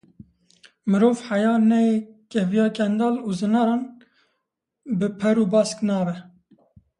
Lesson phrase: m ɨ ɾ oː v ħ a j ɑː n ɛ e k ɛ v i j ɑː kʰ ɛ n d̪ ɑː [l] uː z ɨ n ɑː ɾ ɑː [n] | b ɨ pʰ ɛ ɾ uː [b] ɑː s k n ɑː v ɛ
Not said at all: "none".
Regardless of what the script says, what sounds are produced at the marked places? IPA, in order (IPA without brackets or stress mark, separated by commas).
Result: l, n, b